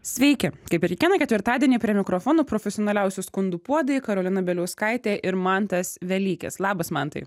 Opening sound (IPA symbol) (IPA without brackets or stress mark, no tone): sʲ